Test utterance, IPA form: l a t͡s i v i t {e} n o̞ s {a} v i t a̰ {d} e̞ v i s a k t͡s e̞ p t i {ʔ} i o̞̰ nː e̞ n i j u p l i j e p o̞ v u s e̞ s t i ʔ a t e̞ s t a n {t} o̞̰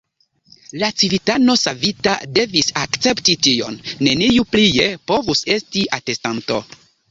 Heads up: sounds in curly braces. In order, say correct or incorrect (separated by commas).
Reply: incorrect, correct, correct, incorrect, correct